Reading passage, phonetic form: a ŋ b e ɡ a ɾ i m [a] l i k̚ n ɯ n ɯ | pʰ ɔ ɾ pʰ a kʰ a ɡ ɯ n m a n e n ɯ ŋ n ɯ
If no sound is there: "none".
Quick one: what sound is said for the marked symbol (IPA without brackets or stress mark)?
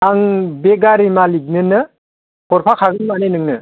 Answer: a